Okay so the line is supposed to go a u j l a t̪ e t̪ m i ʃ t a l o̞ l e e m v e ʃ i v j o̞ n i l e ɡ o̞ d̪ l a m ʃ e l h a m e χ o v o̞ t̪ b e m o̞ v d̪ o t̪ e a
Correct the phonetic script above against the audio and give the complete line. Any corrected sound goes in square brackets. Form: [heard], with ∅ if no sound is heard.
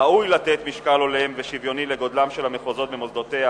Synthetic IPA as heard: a u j l a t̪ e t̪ m i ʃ [k] a l o̞ l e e m v e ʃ i v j o̞ n i l e ɡ o̞ d̪ l a m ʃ e l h a m e χ o [z] o̞ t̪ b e m o̞ [z] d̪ o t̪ e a